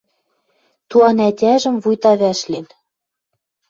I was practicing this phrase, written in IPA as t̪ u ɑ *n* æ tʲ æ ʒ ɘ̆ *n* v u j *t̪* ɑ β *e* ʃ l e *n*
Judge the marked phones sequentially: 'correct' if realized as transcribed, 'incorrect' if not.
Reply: correct, incorrect: m, correct, incorrect: æ, correct

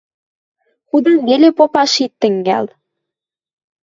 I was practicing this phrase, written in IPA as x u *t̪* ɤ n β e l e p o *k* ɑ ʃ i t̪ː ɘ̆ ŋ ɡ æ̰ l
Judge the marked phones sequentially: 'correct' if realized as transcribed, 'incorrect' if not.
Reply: incorrect: d̪, incorrect: p

